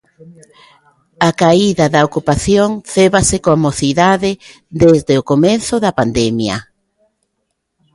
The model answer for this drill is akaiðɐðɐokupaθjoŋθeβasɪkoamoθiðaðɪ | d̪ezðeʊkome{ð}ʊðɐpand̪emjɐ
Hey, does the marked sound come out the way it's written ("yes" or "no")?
no